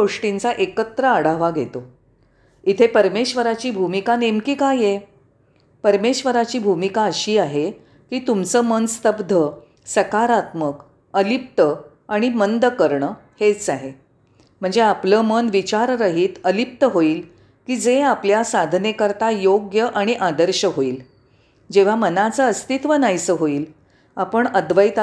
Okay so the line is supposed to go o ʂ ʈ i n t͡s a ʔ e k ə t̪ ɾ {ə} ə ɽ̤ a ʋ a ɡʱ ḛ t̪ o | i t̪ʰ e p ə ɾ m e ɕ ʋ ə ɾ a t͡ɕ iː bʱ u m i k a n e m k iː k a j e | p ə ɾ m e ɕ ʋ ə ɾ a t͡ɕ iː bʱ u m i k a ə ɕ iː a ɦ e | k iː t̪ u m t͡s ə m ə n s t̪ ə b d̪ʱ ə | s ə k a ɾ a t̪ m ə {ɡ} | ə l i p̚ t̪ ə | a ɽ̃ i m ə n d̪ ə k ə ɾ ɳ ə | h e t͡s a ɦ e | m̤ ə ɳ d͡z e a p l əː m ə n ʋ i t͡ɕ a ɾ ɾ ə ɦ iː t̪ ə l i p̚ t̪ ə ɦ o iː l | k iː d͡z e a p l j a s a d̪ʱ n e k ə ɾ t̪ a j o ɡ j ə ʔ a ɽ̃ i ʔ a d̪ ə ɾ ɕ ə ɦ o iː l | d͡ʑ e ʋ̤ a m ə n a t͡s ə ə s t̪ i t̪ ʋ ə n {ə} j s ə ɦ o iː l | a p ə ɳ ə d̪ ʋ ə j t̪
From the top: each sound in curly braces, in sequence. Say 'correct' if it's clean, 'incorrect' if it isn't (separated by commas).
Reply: correct, incorrect, incorrect